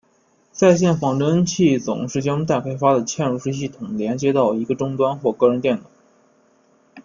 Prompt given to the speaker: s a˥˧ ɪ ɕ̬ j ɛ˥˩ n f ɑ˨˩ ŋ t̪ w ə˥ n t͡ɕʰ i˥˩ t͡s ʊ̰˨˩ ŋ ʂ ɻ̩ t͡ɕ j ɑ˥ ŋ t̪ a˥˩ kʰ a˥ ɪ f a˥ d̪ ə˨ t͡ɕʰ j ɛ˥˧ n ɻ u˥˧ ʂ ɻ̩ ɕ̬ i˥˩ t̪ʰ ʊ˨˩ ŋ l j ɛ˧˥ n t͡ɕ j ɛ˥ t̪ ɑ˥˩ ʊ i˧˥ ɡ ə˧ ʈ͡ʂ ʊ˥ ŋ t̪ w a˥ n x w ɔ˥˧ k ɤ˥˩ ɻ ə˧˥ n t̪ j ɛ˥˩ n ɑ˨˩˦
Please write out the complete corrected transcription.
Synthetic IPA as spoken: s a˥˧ ɪ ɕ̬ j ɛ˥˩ n f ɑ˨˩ ŋ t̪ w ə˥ n t͡ɕʰ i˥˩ t͡s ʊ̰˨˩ ŋ ʂ ɻ̩ t͡ɕ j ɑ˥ ŋ t̪ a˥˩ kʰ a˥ ɪ f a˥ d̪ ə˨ t͡ɕʰ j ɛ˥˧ n ɻ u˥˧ ʂ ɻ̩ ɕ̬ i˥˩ t̪ʰ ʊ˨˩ ŋ l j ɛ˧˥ n t͡ɕ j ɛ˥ t̪ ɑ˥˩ ʊ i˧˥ ɡ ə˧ ʈ͡ʂ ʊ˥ ŋ t̪ w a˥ n x w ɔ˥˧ k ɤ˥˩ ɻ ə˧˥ n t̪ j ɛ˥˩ n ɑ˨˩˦